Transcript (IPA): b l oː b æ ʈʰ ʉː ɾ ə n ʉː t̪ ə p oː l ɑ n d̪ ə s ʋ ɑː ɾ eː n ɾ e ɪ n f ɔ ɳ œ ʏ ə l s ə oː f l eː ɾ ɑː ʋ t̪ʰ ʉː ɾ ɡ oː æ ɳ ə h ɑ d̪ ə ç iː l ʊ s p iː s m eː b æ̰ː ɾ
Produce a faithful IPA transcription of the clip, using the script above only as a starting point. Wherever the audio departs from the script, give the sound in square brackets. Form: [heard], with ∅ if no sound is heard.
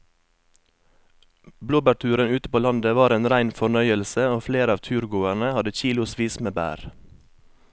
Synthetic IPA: b l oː b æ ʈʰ ʉː ɾ ə n ʉː t̪ ə p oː l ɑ n d̪ ə [∅] ʋ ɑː ɾ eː n ɾ [æ] ɪ n f ɔ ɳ œ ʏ ə l s ə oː f l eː ɾ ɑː ʋ t̪ʰ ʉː ɾ ɡ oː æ ɳ ə h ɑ d̪ ə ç iː l ʊ s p iː s m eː b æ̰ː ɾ